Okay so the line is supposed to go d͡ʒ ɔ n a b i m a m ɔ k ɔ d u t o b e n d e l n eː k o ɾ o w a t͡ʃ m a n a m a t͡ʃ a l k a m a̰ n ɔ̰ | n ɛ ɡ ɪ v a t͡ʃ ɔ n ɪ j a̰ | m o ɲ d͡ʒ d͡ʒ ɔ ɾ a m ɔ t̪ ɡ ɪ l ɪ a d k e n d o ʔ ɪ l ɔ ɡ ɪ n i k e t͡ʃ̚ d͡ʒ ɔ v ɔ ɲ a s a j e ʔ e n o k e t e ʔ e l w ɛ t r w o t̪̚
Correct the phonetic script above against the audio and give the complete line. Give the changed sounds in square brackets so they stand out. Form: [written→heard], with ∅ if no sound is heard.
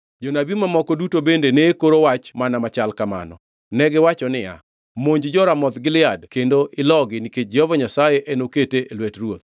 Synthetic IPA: d͡ʒ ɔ n a b i m a m ɔ k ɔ d u t o b e n d e [l→∅] n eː k o ɾ o w a t͡ʃ m a n a m a t͡ʃ a l k a m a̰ n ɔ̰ | n ɛ ɡ ɪ [v→w] a t͡ʃ ɔ n ɪ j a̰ | m o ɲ d͡ʒ d͡ʒ ɔ ɾ a m ɔ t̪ ɡ ɪ l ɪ a d k e n d o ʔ ɪ l ɔ ɡ ɪ n i k e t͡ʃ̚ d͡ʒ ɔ v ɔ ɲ a s a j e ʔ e n o k e t e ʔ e l w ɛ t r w o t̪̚